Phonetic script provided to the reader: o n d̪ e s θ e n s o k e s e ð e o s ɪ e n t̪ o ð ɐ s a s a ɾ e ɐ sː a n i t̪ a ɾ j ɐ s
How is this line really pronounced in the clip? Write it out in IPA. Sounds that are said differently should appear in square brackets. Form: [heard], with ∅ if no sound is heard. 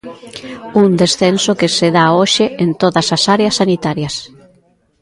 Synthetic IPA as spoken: [u] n d̪ e s θ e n s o k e s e ð [a] o [ʃ] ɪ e n t̪ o ð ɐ s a s a ɾ e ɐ sː a n i t̪ a ɾ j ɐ s